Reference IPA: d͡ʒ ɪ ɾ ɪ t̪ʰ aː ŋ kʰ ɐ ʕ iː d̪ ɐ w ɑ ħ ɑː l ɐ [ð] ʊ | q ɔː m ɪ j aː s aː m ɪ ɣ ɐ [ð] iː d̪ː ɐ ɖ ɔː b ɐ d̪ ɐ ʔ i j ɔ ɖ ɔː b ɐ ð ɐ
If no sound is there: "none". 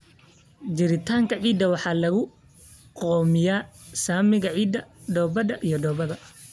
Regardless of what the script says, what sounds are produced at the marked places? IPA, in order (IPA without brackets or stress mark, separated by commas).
ɣ, ʕ